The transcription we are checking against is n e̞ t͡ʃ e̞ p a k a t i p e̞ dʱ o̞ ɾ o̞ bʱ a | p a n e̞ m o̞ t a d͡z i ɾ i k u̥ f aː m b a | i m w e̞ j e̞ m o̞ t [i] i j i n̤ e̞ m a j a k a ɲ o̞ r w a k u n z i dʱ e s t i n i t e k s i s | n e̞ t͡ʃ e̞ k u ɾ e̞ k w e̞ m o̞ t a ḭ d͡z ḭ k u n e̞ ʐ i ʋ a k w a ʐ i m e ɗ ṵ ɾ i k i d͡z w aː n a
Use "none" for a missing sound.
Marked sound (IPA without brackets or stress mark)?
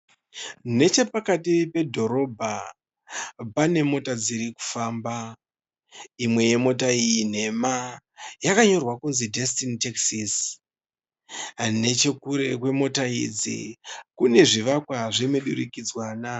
a